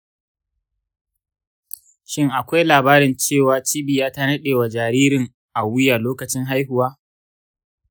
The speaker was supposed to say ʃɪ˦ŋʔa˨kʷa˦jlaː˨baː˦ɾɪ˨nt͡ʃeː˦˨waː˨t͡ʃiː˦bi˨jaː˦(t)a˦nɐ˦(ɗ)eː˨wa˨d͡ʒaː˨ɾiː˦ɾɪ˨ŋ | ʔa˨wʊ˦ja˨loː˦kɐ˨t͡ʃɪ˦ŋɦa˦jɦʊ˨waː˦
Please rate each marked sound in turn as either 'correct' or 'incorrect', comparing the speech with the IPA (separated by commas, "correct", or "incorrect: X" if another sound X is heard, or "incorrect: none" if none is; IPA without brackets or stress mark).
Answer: correct, correct